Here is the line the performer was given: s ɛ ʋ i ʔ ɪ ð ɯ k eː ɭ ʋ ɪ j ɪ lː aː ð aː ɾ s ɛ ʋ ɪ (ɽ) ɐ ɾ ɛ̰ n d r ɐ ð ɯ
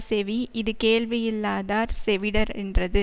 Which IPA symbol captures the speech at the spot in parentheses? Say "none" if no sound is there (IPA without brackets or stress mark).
ɽ